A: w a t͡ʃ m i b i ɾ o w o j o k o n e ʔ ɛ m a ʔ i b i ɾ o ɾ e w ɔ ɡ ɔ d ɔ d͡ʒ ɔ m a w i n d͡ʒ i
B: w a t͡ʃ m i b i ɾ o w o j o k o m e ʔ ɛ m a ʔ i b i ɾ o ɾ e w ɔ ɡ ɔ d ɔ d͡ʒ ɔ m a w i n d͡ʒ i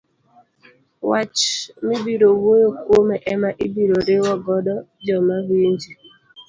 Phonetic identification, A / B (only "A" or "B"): B